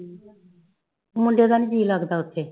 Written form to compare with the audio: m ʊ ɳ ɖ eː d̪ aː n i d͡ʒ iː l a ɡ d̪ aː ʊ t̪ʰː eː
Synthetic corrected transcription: m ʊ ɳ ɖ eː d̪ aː n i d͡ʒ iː l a ɡ d̪ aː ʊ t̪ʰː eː